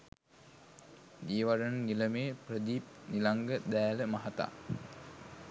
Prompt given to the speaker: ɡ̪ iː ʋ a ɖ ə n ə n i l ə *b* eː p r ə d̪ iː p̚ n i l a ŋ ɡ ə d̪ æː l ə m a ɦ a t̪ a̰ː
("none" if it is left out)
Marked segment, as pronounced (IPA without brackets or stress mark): m